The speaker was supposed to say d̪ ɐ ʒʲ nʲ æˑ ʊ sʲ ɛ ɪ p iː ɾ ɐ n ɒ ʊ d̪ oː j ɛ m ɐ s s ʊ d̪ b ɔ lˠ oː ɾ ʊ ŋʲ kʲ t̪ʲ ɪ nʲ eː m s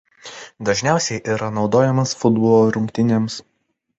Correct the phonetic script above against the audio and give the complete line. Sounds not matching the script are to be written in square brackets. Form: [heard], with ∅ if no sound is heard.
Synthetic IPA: d̪ ɐ ʒʲ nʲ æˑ ʊ sʲ ɛ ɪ [ʔ] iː ɾ ɐ n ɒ ʊ d̪ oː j ɛ m ɐ s [f] ʊ d̪ b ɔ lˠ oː ɾ ʊ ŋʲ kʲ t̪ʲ ɪ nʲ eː m s